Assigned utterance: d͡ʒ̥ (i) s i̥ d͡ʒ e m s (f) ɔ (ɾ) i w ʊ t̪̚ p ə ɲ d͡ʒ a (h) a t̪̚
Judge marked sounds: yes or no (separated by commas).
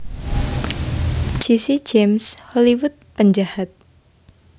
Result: yes, no, no, yes